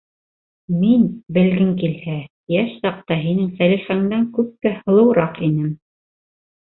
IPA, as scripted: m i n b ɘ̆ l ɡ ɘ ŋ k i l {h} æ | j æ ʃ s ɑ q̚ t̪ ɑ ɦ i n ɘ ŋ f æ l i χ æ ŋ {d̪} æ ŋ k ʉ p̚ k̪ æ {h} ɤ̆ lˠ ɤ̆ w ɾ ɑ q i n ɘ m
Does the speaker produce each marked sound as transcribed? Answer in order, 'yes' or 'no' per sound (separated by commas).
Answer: yes, yes, yes